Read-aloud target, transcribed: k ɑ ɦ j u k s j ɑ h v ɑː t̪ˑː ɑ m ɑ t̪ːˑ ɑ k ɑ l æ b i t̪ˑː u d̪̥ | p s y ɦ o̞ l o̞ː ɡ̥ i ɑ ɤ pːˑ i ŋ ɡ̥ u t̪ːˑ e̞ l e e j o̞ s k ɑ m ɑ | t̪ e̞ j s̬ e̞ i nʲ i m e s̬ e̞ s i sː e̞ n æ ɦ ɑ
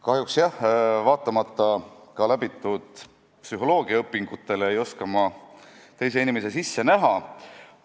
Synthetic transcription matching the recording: k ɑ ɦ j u k s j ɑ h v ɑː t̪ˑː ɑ m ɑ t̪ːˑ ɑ k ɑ l æ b i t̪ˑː u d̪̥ | p s y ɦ o̞ l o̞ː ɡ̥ i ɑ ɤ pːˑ i ŋ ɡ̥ u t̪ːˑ e̞ l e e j o̞ s k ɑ m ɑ | t̪ e̞ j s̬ e̞ i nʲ i m e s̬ e̞ s i sː e̞ n æ ɦ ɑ